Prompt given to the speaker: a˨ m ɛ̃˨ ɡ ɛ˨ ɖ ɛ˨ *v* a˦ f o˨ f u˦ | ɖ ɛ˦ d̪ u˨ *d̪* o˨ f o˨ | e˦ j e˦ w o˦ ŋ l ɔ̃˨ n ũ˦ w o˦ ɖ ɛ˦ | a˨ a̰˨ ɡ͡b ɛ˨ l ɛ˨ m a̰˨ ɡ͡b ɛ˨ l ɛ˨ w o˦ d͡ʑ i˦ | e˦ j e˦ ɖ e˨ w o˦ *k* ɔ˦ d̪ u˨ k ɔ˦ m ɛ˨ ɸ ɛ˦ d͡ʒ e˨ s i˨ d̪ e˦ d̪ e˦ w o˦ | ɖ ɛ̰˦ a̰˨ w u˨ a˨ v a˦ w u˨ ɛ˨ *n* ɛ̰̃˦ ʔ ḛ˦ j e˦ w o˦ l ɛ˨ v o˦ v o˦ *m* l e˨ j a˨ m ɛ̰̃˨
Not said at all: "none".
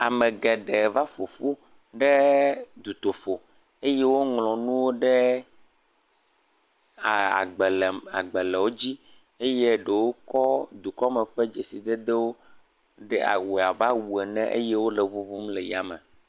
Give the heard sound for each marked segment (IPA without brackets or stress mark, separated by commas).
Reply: v, t̪, k, n, m